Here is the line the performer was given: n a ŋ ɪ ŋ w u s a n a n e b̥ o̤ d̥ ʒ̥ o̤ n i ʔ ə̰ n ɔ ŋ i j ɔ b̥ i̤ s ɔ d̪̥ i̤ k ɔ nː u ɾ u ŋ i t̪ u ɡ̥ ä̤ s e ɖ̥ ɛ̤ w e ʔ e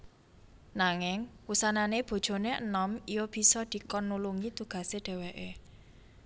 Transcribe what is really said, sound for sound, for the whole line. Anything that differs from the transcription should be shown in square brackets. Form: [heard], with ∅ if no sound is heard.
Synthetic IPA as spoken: n a ŋ ɪ ŋ w u s a n a n e b̥ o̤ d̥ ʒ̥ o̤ n [e] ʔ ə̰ n ɔ [m] i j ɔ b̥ i̤ s ɔ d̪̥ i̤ k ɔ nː u [l] u ŋ i t̪ u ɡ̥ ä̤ s e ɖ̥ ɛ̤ w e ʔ e